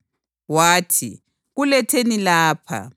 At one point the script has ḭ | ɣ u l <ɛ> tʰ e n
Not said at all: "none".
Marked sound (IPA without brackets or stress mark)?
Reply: ɛ